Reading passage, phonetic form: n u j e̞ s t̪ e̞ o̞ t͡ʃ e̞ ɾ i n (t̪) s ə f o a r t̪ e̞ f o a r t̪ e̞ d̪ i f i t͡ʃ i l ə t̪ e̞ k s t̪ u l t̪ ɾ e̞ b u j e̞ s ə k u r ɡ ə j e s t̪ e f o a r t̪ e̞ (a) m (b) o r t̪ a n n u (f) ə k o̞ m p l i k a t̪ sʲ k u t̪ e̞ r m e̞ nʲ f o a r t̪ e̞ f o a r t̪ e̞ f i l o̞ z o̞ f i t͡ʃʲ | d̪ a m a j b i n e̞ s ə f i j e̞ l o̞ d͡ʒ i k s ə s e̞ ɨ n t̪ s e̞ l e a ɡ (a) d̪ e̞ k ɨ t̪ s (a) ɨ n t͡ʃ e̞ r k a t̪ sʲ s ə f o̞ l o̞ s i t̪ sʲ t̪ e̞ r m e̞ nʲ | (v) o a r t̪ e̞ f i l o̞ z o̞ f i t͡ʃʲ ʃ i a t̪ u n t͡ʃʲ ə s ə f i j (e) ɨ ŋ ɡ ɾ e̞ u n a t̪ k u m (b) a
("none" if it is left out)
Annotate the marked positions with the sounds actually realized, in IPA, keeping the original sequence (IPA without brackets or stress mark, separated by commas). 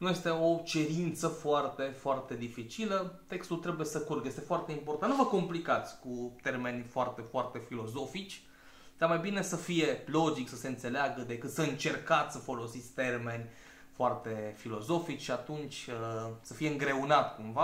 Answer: t̪, i, p, v, ə, ə, f, e, v